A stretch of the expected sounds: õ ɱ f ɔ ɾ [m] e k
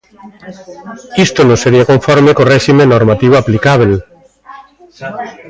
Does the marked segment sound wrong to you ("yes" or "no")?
no